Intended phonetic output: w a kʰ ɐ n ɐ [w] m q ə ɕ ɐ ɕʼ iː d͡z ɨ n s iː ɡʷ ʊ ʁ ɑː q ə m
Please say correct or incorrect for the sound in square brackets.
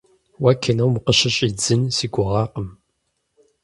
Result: correct